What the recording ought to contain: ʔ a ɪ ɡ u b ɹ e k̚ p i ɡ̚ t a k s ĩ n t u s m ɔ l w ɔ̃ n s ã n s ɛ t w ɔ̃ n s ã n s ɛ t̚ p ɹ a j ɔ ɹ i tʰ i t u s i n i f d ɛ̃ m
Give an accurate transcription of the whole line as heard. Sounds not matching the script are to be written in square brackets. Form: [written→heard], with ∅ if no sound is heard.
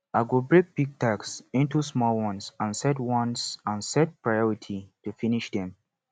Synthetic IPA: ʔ a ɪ ɡ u b ɹ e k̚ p i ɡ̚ t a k s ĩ n t u s m ɔ l w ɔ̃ n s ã n s ɛ t w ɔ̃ n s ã n s ɛ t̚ p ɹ a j ɔ ɹ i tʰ i t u [s→f] i n i [f→ʃ] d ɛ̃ m

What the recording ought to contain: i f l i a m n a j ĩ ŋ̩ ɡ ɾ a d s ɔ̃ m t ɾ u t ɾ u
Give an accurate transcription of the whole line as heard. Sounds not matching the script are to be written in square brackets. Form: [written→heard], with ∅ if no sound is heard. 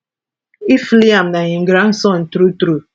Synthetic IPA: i f l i a m n a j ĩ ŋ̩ ɡ ɾ a [d→n] s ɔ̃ [m→n] t ɾ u t ɾ u

